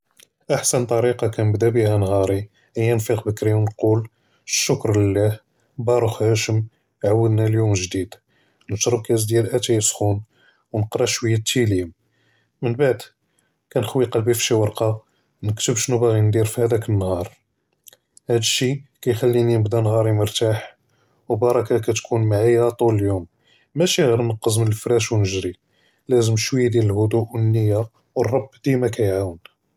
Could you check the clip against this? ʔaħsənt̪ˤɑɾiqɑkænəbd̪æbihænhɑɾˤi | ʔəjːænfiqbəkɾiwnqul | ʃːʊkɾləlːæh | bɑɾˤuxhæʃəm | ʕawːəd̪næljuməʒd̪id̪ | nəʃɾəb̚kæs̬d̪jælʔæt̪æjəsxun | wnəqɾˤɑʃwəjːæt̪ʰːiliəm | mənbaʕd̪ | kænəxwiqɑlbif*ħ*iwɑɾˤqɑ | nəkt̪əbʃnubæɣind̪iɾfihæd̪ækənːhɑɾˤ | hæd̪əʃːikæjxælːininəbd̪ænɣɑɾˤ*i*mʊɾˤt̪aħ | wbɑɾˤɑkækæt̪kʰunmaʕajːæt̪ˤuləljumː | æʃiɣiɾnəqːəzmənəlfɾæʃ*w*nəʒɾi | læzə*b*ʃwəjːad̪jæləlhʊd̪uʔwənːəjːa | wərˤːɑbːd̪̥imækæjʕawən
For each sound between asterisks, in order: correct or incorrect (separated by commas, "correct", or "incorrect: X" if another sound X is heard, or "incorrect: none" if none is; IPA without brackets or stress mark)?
incorrect: ʃ, correct, correct, incorrect: m